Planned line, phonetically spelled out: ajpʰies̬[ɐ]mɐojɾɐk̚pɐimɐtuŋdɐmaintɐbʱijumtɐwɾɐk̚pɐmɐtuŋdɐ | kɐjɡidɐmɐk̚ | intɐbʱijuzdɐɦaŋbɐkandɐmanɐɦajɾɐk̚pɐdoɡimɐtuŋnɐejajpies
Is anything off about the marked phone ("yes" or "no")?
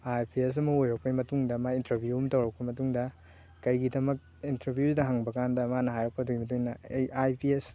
no